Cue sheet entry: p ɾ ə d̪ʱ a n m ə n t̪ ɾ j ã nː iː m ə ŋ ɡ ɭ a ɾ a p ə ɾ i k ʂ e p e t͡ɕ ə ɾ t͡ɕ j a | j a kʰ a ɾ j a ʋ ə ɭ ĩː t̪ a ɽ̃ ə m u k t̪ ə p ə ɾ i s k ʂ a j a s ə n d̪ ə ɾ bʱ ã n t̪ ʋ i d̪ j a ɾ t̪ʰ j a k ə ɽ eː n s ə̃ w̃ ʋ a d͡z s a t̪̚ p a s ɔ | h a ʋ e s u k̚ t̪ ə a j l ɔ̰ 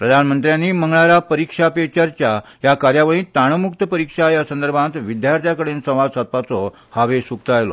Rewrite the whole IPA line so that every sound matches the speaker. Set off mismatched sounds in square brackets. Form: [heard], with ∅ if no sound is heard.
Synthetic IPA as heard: p ɾ ə d̪ʱ a n m ə n t̪ ɾ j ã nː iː m ə ŋ ɡ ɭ a ɾ a p ə ɾ i k ʂ [a] p e t͡ɕ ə ɾ t͡ɕ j a | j a [k] a ɾ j a ʋ ə ɭ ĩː t̪ a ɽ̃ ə m u k t̪ ə p ə ɾ i [∅] k ʂ a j a s ə n d̪ ə ɾ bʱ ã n t̪ ʋ i d̪ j a ɾ t̪ʰ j a k ə ɽ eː n s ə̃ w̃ ʋ a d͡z s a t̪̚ p a [t͡s] ɔ | h a ʋ e s u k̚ t̪ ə a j l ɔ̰

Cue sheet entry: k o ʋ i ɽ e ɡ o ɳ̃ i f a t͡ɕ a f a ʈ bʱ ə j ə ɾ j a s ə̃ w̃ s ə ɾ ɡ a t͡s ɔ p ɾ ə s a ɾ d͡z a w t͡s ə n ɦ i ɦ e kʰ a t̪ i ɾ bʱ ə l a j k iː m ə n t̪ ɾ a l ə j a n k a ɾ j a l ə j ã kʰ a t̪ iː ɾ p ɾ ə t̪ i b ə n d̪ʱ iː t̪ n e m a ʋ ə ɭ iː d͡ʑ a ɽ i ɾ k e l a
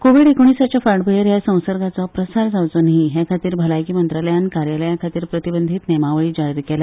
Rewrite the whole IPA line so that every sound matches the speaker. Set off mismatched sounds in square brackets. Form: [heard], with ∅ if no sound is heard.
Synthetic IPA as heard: k o ʋ i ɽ e [k] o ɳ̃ i [s] a t͡ɕ a f a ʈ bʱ ə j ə ɾ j a s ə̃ w̃ s ə ɾ ɡ a t͡s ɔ p ɾ ə s a ɾ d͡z a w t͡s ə n ɦ i ɦ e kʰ a t̪ [iː] ɾ bʱ ə l a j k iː m ə n t̪ ɾ a l ə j a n k a ɾ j a l ə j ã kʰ a t̪ iː ɾ p ɾ ə t̪ i b ə n d̪ʱ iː t̪ n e m a ʋ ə ɭ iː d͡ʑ a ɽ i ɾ k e l a

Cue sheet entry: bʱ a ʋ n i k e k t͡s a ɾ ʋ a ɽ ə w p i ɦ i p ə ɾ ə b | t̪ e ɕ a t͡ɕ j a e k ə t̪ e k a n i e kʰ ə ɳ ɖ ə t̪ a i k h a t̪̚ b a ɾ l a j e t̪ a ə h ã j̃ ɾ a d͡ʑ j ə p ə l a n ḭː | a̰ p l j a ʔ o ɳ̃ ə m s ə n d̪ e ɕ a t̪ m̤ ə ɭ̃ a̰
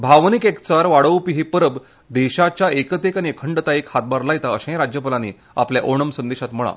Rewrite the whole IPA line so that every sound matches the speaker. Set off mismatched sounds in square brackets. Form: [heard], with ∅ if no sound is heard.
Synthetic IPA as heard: bʱ a ʋ n i k e k t͡s a ɾ ʋ a ɽ ə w p i ɦ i p ə ɾ ə b | [d̪] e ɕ a t͡ɕ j a e k ə t̪ e k a n i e kʰ ə ɳ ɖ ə t̪ a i k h a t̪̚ b a ɾ l a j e t̪ a ə [ɕ] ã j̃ ɾ a d͡ʑ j ə p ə l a n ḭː | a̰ p l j a ʔ o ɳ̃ ə m s ə n d̪ e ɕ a t̪ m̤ ə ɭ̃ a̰

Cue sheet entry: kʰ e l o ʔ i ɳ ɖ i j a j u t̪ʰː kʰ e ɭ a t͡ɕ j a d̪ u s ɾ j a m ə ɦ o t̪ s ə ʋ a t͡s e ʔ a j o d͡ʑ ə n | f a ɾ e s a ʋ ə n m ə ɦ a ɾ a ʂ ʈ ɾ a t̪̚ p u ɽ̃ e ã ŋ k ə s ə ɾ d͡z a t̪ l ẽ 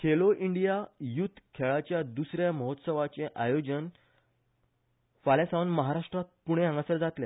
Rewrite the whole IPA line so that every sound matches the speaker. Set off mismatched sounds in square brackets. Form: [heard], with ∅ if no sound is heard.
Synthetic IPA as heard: kʰ e l o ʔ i ɳ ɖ i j a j u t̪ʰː kʰ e ɭ a t͡ɕ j a d̪ u s ɾ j a m ə ɦ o t̪ s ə ʋ a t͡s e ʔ a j o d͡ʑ ə n | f a [l] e s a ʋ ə n m ə ɦ a ɾ a ʂ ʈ ɾ a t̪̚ p u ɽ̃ e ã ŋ [ɡ] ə s ə ɾ d͡z a t̪ l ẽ

